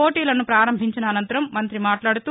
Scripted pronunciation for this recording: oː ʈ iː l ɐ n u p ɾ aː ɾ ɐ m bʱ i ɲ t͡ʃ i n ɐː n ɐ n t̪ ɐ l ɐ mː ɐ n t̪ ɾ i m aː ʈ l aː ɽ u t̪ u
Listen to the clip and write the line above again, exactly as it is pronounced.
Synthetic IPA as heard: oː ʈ iː l ɐ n u p ɾ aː ɾ ɐ m bʱ i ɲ t͡ʃ i n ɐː n ɐ n t̪ ɐ ɾ ɐ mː ɐ n t̪ ɾ i m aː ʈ l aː ɽ u t̪ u